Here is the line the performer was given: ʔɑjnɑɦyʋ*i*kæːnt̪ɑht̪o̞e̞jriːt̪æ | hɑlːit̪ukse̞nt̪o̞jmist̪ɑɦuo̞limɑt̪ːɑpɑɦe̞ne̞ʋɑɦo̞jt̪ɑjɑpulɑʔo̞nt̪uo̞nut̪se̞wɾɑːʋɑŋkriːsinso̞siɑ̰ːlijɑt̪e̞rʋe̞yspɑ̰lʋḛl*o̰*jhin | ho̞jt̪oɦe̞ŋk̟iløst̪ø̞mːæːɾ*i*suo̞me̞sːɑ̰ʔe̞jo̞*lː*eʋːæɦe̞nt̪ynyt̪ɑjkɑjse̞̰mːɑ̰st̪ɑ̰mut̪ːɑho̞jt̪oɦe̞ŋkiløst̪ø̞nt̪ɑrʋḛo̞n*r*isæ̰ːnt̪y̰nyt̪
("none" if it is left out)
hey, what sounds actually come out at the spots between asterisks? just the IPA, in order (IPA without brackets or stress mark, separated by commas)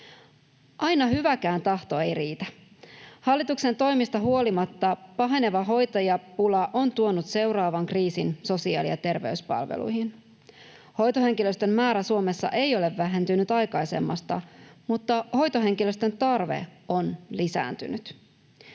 æ, ṵ, æ, l, l